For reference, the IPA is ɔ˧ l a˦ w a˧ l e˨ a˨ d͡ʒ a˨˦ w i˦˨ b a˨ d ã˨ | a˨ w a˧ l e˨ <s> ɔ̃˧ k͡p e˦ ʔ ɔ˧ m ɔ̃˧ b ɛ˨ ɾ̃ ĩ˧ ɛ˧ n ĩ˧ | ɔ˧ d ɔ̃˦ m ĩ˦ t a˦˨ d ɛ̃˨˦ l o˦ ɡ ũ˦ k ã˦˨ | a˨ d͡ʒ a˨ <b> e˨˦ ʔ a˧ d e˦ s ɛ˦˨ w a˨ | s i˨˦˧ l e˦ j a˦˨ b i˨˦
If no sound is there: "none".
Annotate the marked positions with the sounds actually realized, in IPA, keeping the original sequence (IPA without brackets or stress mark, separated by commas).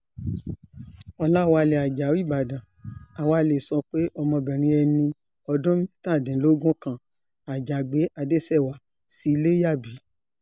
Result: s, ɡ͡b